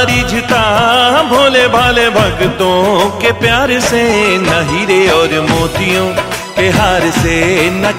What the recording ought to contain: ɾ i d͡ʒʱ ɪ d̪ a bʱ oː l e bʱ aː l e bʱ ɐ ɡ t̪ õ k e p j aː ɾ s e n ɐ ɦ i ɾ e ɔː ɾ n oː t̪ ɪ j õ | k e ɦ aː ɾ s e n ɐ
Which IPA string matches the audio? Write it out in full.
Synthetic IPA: ɾ i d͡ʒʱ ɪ t̪ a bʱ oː l e bʱ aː l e bʱ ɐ ɡ t̪ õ k e p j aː ɾ s e n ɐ ɦ i ɾ e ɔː ɾ m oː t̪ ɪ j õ | k e ɦ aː ɾ s e n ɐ